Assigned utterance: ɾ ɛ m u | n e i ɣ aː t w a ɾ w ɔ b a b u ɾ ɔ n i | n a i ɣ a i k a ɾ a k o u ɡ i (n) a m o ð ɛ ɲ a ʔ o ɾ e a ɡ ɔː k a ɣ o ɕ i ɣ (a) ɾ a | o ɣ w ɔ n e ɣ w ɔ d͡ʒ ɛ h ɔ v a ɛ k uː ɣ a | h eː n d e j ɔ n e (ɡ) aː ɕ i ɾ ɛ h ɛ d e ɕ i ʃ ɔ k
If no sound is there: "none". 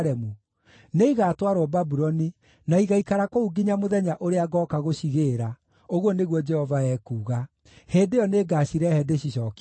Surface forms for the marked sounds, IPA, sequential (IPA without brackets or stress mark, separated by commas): ɲ, e, ɡ